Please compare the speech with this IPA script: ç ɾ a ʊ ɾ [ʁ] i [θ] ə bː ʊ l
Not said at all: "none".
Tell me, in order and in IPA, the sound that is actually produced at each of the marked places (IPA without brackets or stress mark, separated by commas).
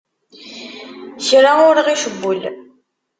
ʁ, ʃ